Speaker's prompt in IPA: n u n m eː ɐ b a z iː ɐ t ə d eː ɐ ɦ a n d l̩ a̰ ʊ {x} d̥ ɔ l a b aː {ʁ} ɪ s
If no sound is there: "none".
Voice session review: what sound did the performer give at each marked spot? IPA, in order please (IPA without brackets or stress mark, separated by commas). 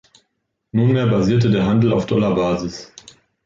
f, z